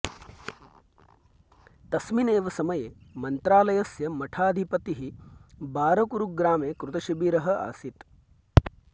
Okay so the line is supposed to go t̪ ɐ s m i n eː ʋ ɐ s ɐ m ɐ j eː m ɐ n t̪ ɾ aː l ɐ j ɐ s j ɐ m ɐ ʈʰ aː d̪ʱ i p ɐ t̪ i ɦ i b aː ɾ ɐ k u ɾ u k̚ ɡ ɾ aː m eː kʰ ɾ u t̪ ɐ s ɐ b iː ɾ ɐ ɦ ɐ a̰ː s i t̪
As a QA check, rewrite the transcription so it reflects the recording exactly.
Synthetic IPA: t̪ ɐ s m i n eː ʋ ɐ s ɐ m ɐ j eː m ɐ n t̪ ɾ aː l ɐ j ɐ s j ɐ m ɐ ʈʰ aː d̪ʱ i p ɐ t̪ i ɦ i b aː ɾ ɐ k u ɾ u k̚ ɡ ɾ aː m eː k ɾ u t̪ ɐ ʃ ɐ b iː ɾ ɐ ɦ ɐ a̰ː s i t̪

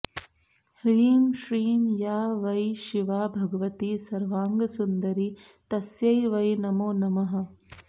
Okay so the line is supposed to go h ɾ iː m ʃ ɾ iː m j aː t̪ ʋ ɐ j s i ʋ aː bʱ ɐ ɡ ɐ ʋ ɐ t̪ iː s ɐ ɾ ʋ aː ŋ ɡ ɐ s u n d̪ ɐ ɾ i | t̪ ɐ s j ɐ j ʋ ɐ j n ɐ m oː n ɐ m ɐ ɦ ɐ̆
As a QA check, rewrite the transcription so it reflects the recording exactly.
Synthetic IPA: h ɾ iː m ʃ ɾ iː m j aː ʋ ɐ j ʃ i ʋ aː bʱ ɐ ɡ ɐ ʋ ɐ t̪ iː s ɐ ɾ ʋ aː ŋ ɡ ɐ s u n d̪ ɐ ɾ i | t̪ ɐ s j ɐ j ʋ ɐ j n ɐ m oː n ɐ m ɐ ɦ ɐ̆

